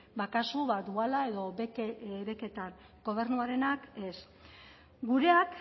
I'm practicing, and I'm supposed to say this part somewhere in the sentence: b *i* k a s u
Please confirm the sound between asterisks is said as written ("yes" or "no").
no